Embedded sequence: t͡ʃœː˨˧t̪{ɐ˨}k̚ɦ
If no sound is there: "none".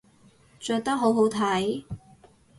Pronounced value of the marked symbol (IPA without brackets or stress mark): ɐ˥